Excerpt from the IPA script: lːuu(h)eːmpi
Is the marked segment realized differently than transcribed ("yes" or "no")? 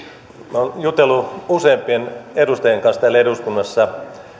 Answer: yes